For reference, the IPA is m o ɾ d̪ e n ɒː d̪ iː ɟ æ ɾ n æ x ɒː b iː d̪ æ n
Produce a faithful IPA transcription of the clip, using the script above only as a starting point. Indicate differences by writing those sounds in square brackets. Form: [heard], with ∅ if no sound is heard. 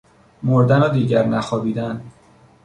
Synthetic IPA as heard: m o ɾ d̪ [æ] n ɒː d̪ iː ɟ æ ɾ n æ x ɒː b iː d̪ æ n